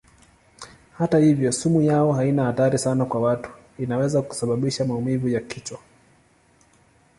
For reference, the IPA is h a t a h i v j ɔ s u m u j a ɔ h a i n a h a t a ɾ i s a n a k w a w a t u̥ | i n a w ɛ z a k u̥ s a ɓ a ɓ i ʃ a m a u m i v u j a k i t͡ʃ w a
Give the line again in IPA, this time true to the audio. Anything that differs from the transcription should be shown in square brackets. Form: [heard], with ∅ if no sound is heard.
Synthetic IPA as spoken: h a t a h i v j ɔ s u m u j a ɔ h a i n a h a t a ɾ i s a n a k w a w a t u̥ | i n a w ɛ z a k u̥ s a ɓ a ɓ i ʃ a m a u m i v u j a k i t͡ʃ w a